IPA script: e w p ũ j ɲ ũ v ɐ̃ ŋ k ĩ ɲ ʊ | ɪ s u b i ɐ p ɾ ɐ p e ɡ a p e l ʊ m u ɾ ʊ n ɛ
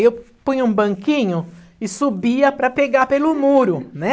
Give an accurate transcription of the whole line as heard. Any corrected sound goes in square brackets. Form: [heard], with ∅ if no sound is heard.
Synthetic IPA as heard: e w p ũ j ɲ ũ [b] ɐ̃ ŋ k ĩ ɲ ʊ | ɪ s u b i ɐ p ɾ ɐ p e ɡ a p e l ʊ m u ɾ ʊ n ɛ

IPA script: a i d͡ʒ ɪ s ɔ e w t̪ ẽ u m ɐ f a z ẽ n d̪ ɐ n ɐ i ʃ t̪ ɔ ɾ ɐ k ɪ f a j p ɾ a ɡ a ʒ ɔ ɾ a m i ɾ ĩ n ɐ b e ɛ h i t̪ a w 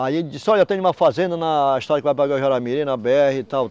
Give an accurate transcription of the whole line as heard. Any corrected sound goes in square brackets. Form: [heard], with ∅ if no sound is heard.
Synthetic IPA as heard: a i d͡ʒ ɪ s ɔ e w t̪ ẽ u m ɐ f a z ẽ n d̪ ɐ n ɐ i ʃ t̪ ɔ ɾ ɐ k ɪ [v] a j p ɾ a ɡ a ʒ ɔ ɾ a m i ɾ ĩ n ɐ b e ɛ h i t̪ a w

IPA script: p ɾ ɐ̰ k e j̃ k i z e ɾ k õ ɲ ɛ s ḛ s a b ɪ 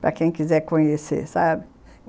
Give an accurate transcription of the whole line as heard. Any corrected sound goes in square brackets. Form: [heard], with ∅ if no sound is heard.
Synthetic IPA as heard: p ɾ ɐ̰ k [ẽ] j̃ k i z [ɛ] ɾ k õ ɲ [e] s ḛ s a b ɪ

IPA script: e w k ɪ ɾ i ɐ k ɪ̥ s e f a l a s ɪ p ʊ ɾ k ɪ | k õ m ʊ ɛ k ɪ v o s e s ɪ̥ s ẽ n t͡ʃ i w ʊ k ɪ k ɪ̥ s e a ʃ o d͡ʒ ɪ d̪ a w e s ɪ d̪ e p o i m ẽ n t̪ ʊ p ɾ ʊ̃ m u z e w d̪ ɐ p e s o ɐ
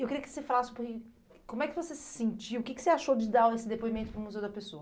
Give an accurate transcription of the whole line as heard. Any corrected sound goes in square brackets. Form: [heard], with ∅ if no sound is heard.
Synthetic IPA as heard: e w k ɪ ɾ i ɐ k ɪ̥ s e f a l a s ɪ p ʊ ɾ k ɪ | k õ m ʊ ɛ k ɪ v o s e s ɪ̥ s ẽ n t͡ʃ i w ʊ k ɪ k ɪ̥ s e a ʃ o d͡ʒ ɪ d̪ a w e s ɪ d̪ e p o i m ẽ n t̪ ʊ p ɾ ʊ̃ m u z e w d̪ ɐ p e s o ɐ

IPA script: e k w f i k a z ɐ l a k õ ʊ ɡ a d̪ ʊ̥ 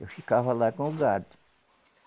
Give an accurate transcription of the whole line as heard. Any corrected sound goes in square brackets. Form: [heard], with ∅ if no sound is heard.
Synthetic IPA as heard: e [∅] w f i k a [v] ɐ l a k õ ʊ ɡ a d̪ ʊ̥

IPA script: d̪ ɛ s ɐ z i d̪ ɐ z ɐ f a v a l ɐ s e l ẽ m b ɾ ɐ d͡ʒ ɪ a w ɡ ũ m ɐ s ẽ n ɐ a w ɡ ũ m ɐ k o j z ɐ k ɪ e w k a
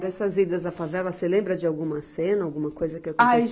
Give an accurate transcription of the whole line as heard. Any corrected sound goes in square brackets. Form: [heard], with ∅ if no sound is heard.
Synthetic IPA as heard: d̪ ɛ s ɐ z i d̪ ɐ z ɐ f a v [ɛ] l ɐ s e l ẽ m b ɾ ɐ d͡ʒ ɪ a w ɡ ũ m ɐ s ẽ n ɐ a w ɡ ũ m ɐ k o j z ɐ k ɪ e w k a

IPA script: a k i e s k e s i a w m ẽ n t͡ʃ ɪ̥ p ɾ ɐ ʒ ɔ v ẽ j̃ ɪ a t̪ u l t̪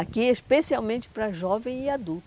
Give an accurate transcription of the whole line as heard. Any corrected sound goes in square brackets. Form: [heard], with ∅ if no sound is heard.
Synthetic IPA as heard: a k i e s [p] e s i a w m ẽ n t͡ʃ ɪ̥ p ɾ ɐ ʒ ɔ v ẽ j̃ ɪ a [d̪] u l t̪

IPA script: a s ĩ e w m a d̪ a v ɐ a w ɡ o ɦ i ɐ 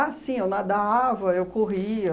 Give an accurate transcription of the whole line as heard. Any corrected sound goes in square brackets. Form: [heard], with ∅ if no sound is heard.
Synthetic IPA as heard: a s ĩ e w [n] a d̪ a v ɐ [e] w [k] o ɦ i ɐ

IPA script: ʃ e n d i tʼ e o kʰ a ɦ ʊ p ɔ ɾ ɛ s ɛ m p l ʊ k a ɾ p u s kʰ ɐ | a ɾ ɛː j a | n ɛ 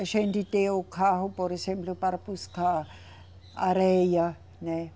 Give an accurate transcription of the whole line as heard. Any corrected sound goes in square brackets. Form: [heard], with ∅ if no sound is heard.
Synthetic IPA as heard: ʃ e n d i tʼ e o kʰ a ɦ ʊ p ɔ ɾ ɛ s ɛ m p l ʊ [p] a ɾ p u s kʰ [a] | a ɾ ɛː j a | n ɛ

